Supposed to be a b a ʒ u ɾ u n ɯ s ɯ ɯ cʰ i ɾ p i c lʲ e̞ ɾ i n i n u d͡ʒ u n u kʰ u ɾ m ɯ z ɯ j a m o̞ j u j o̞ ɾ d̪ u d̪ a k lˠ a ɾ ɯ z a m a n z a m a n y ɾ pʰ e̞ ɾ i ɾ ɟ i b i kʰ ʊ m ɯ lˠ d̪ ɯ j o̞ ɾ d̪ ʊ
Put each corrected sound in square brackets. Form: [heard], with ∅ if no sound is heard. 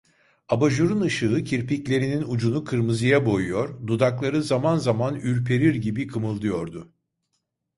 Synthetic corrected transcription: a b a ʒ u ɾ u n ɯ [ʃ] ɯ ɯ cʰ i ɾ p i c lʲ e̞ ɾ i n i n u d͡ʒ u n u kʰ [ɯ] ɾ m ɯ z ɯ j a [b] o̞ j u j o̞ ɾ d̪ u d̪ a k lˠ a ɾ ɯ z a m a n z a m a n y ɾ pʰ e̞ ɾ i ɾ ɟ i b i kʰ [ɯ] m ɯ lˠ d̪ ɯ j o̞ ɾ d̪ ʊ